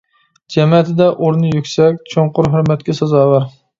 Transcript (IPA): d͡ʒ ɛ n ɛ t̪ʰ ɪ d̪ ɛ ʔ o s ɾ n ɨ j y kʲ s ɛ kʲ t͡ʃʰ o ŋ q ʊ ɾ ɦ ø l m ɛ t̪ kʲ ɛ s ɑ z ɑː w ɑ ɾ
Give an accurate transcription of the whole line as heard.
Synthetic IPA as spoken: d͡ʒ ɛ m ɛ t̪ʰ ɪ d̪ ɛ ʔ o ɾ n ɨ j y kʲ s ɛ kʲ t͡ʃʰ o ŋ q ʊ ɾ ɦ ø ɾ m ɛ t̪ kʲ ɛ s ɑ z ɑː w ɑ ɾ